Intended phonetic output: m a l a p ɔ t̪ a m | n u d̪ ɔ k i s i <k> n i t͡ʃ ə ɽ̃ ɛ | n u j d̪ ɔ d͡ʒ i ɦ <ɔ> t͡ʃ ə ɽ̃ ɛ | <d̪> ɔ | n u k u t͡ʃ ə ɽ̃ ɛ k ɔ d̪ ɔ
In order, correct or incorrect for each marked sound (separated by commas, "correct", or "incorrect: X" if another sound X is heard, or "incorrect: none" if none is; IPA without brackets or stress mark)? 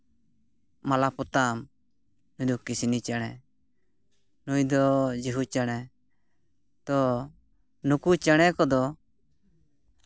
incorrect: none, incorrect: u, incorrect: t̪